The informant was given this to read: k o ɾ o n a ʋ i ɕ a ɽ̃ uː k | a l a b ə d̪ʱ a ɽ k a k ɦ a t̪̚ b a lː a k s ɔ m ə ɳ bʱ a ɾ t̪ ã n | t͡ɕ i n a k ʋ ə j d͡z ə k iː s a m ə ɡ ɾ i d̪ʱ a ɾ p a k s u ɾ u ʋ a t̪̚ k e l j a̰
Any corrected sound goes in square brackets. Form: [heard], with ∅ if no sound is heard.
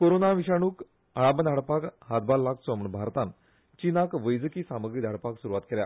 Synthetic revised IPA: k o ɾ o n a ʋ i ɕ a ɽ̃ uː k | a [ɭ] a b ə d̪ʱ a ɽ [p] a k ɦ a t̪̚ b a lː a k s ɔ m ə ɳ bʱ a ɾ t̪ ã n | t͡ɕ i n a k ʋ ə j d͡z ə k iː s a m ə ɡ ɾ i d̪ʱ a [ɽ] p a k s u ɾ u ʋ a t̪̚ k e l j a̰